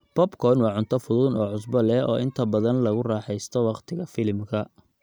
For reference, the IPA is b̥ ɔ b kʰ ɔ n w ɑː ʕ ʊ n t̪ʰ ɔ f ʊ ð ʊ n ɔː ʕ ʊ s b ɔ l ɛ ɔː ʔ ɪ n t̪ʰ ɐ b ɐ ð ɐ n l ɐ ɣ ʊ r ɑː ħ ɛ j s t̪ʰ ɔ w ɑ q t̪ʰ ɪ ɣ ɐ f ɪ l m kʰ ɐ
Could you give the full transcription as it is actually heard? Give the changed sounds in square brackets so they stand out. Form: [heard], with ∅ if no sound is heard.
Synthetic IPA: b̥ ɔ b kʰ ɔ n w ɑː ʕ ʊ n t̪ʰ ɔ f ʊ ð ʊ n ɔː ʕ ʊ s b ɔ l ɛ ɔː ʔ ɪ n t̪ʰ ɐ b ɐ ð ɐ n l ɐ ɣ ʊ r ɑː ħ ɛ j s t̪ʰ ɔ w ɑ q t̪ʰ ɪ ɣ ɐ f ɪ l m kʰ ɐ